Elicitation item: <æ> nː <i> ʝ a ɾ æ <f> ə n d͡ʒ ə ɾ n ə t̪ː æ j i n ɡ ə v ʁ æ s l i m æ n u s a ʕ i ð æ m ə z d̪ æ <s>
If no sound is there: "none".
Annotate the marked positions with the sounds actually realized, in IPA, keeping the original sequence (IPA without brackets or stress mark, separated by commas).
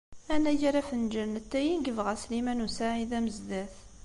æ, æ, f, θ